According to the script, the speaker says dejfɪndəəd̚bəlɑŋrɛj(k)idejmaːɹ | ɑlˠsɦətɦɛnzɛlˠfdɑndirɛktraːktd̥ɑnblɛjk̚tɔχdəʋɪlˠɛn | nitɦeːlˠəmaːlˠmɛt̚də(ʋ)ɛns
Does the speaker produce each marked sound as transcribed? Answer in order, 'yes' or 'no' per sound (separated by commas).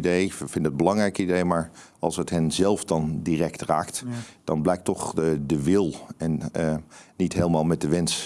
yes, yes